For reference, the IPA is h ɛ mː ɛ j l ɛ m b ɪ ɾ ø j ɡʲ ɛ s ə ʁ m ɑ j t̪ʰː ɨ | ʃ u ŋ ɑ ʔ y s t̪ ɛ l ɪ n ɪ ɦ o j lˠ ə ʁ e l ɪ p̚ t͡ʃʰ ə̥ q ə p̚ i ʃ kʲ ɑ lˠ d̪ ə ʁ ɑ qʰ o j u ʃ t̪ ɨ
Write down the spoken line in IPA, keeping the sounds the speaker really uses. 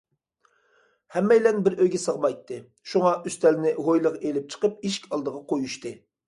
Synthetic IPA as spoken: h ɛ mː ɛ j l ɛ n b ɪ ɾ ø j ɡʲ ɛ s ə ʁ m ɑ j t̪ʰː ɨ | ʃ u ŋ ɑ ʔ y s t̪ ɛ l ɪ n ɪ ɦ o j lˠ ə ʁ e l ɪ p̚ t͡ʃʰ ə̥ q ə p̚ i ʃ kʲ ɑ lˠ d̪ ə ʁ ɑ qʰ o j u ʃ t̪ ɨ